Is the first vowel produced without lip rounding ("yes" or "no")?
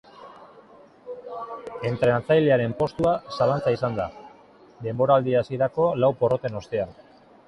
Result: yes